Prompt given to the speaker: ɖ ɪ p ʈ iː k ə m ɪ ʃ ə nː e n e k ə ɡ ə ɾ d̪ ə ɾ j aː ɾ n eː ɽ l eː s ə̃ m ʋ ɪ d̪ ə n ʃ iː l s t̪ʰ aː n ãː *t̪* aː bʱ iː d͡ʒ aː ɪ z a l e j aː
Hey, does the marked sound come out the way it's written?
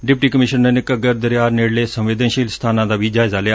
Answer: no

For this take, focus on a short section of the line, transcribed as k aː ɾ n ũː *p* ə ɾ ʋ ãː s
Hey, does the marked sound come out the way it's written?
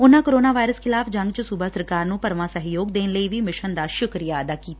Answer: yes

